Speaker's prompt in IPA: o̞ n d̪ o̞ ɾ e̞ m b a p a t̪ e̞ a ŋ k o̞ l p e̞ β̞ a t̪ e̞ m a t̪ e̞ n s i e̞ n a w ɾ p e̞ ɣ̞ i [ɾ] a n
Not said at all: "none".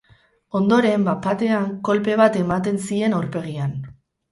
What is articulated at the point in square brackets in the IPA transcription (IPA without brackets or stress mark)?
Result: none